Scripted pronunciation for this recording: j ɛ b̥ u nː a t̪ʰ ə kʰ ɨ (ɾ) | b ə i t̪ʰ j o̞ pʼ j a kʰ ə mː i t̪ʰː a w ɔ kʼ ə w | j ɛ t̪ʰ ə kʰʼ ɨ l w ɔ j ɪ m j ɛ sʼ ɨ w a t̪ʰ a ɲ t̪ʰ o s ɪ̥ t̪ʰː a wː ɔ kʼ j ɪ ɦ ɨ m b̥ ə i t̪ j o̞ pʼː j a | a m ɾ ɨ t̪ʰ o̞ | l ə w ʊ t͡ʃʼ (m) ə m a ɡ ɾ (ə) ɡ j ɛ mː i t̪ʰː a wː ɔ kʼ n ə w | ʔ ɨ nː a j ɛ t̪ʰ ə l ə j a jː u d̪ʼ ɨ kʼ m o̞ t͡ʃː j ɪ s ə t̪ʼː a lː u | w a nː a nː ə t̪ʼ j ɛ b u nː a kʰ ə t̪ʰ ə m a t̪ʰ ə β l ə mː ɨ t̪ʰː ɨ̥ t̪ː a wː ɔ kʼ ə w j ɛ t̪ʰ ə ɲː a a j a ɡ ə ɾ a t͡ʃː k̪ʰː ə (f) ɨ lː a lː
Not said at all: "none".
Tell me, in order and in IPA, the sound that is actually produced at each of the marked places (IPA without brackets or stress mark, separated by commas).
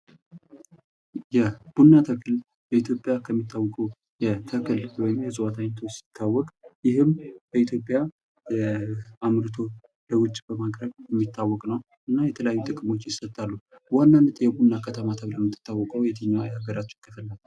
l, b, ə, f